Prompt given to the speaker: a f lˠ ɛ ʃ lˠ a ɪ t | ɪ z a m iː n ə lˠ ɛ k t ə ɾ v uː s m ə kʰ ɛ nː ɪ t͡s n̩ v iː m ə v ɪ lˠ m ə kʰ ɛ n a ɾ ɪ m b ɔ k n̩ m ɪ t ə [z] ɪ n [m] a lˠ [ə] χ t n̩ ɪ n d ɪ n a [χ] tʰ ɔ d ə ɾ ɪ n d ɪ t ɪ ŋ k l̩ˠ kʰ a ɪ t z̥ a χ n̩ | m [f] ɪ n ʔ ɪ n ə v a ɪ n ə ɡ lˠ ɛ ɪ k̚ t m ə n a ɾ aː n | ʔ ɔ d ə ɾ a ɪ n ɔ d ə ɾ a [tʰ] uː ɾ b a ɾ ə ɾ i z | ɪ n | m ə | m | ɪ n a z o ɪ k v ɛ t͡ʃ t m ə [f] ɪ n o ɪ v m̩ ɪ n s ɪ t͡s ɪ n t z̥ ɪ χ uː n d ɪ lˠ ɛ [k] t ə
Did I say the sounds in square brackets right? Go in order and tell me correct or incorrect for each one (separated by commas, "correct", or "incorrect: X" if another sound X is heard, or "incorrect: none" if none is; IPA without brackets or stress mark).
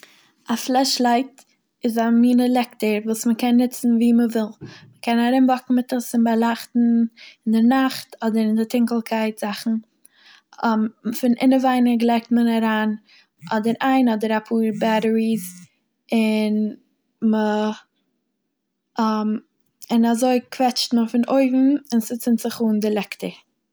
incorrect: s, incorrect: b, incorrect: a, correct, correct, incorrect: pʰ, correct, correct